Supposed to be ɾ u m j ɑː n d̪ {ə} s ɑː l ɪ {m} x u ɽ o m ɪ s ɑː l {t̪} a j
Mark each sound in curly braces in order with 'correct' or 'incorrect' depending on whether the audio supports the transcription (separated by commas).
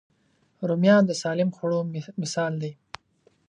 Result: correct, correct, incorrect